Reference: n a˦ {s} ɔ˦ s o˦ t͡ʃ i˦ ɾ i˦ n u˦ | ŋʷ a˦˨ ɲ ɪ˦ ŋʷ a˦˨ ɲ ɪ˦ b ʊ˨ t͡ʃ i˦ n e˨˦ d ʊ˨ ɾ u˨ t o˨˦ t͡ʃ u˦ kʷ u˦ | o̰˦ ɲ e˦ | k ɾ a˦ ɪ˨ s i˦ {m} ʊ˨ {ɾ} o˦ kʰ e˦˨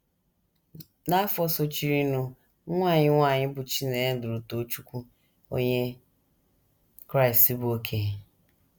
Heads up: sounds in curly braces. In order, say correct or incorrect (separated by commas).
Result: incorrect, incorrect, incorrect